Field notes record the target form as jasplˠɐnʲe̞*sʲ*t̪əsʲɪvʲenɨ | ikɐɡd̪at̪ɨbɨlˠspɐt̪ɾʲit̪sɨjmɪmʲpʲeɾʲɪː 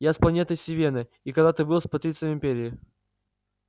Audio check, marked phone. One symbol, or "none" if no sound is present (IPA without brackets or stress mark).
none